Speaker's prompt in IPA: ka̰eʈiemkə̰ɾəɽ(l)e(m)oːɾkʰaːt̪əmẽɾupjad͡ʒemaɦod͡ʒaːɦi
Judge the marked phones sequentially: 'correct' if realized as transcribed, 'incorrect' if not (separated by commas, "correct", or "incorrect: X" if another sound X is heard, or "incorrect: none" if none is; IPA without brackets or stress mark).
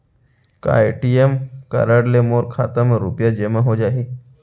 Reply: correct, correct